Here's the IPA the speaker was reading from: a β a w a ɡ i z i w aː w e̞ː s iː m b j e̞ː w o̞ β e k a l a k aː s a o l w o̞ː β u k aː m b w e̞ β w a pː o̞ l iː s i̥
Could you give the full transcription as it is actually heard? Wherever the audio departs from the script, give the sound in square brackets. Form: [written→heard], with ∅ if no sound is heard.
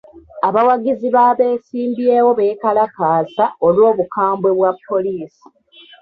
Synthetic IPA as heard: a β a w a ɡ i z i [w→β] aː [w→β] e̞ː s iː m b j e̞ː w o̞ β e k a l a k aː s a o l w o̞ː β u k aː m b w e̞ β w a pː o̞ l iː s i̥